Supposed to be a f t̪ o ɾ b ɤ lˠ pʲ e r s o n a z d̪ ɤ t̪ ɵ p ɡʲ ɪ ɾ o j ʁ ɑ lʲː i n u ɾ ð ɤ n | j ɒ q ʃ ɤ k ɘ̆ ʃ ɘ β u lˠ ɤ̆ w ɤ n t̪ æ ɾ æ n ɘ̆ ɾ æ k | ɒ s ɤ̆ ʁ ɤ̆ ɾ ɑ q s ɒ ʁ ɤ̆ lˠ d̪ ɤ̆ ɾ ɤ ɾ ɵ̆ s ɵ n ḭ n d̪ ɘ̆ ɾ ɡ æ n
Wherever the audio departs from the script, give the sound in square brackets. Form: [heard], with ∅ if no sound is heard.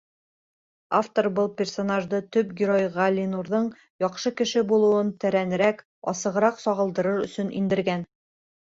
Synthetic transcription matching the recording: a f t̪ o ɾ b ɤ lˠ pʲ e r s o n a [ʒ] d̪ ɤ t̪ ɵ p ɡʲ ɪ ɾ o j ʁ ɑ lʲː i n u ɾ ð ɤ [ɴ] | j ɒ q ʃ ɤ k ɘ̆ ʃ ɘ [b] u lˠ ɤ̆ w ɤ n t̪ æ ɾ æ n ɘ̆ ɾ æ k | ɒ s ɤ̆ ʁ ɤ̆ ɾ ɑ q s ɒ ʁ ɤ̆ lˠ d̪ ɤ̆ ɾ ɤ ɾ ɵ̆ s ɵ n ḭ n d̪ ɘ̆ ɾ ɡ æ n